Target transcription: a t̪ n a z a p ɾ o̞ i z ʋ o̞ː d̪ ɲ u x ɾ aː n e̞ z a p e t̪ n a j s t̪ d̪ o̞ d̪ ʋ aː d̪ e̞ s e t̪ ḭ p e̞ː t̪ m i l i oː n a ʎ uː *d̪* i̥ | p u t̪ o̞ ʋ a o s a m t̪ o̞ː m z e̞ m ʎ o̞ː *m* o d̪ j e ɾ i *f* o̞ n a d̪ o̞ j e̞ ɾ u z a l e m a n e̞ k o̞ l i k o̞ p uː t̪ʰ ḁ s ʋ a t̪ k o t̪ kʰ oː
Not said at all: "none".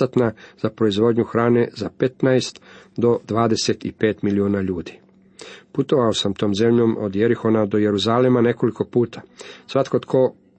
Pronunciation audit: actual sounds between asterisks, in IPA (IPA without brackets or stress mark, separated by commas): d̪, m, x